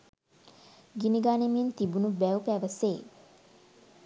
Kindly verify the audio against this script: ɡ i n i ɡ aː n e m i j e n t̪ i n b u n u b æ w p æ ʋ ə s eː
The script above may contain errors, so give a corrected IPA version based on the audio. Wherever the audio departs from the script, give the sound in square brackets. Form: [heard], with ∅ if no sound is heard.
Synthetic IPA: ɡ i n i ɡ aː n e m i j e n t̪ i [∅] b u n u b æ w p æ ʋ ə s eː